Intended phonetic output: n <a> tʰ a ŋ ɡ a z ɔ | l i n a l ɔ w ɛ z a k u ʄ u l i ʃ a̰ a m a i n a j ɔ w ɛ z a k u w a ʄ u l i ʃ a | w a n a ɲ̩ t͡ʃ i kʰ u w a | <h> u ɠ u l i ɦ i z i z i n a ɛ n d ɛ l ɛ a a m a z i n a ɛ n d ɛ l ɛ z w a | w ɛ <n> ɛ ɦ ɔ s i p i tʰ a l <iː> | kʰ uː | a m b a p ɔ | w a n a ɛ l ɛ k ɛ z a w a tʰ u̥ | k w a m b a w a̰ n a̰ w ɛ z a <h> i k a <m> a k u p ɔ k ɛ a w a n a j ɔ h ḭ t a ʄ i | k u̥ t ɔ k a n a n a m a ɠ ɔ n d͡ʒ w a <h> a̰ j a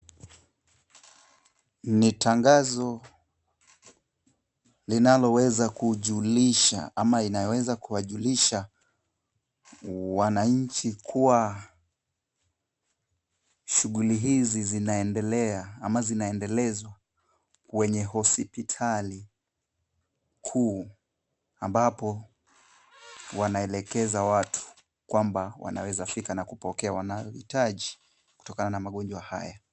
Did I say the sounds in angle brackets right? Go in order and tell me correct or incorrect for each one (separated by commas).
incorrect, incorrect, incorrect, incorrect, incorrect, incorrect, correct